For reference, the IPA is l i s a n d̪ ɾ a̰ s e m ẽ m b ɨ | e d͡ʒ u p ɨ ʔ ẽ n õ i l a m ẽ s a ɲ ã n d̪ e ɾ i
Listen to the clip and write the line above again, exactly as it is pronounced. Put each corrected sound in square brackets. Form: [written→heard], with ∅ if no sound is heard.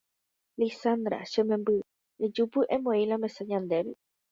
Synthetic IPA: l i s a n d̪ ɾ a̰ [s→ʃ] e m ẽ m b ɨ | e d͡ʒ u p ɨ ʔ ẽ [n→m] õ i l a m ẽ s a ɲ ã n d̪ e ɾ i